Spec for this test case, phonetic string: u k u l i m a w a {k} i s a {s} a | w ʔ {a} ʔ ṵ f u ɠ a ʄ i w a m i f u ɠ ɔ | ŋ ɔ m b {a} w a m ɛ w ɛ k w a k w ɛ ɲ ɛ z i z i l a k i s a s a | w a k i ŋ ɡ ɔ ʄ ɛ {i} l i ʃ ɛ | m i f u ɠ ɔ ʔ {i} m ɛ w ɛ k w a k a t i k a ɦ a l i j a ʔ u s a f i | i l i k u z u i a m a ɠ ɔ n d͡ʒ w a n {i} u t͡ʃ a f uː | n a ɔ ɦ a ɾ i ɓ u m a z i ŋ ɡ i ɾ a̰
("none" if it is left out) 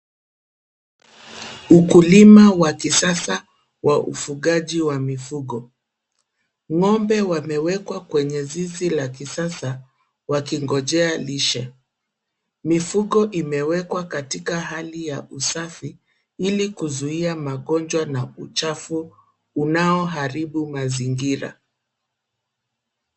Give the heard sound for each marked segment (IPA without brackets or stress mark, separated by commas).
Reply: k, s, a, ɛ, a, i, a